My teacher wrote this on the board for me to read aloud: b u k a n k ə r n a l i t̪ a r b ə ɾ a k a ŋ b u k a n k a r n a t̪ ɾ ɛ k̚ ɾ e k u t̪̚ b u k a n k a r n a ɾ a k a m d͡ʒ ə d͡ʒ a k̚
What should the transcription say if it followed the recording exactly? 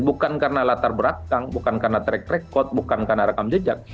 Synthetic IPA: b u k a n k a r n a l a t̪ a r b ə ɾ a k a ŋ b u k a n k a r n a t̪ ɾ ɛ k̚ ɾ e k ɔ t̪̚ b u k a n k a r n a ɾ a k a m d͡ʒ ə d͡ʒ a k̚